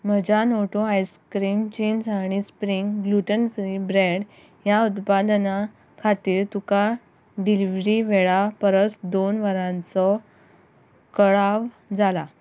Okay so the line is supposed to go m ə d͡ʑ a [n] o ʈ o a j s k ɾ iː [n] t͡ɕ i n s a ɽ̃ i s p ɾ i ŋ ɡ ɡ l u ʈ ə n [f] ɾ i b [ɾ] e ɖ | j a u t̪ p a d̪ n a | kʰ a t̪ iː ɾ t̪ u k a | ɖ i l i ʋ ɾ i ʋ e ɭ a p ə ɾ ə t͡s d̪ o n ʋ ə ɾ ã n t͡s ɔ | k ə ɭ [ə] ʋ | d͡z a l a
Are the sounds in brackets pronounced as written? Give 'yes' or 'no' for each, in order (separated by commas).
yes, no, yes, yes, no